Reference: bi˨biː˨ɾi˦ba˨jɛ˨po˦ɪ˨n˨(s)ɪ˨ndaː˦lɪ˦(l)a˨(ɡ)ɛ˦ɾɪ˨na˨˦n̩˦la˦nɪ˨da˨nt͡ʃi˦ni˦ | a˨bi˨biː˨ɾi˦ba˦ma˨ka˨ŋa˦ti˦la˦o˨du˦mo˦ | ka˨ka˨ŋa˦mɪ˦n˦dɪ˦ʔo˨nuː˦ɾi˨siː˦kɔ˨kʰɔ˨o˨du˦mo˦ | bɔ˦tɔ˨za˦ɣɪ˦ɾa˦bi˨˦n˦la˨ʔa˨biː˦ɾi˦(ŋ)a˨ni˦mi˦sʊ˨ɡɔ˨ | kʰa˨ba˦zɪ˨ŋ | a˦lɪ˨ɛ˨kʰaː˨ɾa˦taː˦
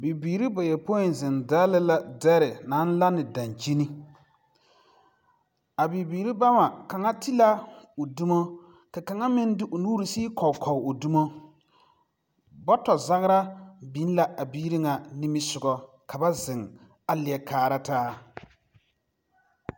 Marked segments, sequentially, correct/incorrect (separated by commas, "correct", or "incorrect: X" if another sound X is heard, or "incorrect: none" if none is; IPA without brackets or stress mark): incorrect: z, correct, incorrect: d, correct